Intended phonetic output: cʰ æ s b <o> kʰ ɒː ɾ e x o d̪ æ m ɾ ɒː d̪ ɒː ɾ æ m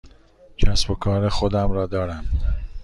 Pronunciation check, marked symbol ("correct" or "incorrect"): correct